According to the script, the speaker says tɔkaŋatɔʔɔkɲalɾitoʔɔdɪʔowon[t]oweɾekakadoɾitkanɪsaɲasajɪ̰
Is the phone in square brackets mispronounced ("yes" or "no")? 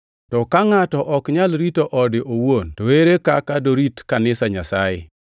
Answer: no